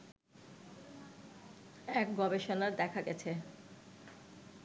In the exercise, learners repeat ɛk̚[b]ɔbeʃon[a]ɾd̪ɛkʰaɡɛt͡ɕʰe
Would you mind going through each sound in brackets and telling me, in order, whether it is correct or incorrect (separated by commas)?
incorrect, correct